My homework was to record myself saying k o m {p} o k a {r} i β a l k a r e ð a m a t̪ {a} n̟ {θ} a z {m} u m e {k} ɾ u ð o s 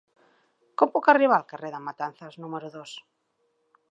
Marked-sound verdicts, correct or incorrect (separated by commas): correct, correct, correct, correct, incorrect, incorrect